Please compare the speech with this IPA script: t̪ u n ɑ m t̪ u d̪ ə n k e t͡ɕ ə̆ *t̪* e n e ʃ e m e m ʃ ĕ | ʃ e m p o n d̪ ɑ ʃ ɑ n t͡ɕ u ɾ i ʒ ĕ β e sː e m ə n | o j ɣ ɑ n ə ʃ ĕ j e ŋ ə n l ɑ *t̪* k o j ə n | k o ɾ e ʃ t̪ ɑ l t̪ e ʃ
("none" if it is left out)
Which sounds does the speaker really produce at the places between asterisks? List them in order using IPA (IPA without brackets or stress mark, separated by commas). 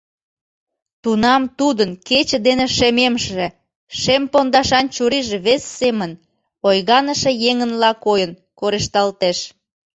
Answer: d̪, none